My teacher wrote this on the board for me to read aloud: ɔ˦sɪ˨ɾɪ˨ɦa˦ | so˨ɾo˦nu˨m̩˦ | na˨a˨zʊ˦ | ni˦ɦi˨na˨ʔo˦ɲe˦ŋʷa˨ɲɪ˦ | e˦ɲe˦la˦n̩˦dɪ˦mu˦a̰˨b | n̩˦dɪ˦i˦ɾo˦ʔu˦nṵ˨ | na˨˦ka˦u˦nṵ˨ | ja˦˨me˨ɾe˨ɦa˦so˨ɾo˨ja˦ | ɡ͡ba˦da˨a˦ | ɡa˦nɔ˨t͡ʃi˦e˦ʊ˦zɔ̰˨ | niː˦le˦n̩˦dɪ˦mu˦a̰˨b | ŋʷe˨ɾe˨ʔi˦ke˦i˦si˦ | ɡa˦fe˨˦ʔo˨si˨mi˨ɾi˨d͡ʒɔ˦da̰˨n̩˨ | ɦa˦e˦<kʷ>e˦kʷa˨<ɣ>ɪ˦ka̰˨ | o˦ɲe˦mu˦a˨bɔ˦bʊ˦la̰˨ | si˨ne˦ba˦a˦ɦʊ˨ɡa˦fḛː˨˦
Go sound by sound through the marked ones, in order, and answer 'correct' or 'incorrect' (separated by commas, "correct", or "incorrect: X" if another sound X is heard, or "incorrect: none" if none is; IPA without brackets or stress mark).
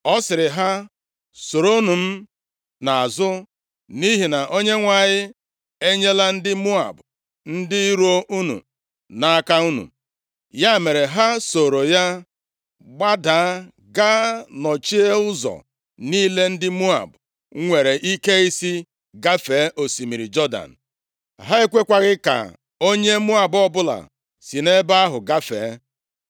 correct, correct